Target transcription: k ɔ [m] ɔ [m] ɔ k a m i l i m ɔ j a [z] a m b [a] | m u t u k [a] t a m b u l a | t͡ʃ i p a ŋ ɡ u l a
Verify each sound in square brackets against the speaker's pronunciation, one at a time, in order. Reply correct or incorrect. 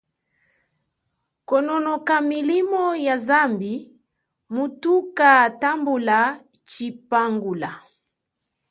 incorrect: n, incorrect: n, correct, incorrect: i, correct

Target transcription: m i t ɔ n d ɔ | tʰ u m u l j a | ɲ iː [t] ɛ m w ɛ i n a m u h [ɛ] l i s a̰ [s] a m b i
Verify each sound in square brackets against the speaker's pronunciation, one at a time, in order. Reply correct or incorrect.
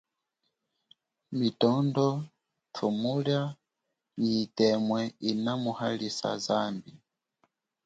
correct, incorrect: a, incorrect: z

